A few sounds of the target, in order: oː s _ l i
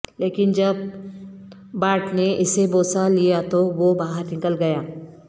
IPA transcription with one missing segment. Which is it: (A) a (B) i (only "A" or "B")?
A